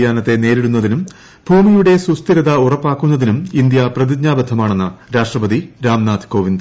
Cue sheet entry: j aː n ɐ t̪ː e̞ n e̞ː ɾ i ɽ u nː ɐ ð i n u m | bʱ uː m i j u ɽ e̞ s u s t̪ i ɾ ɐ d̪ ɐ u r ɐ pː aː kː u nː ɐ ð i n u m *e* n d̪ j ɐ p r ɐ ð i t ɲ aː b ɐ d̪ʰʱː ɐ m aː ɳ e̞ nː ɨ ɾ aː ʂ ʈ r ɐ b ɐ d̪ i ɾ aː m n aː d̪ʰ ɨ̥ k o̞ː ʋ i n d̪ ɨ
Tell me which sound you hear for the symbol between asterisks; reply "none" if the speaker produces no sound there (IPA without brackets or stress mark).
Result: i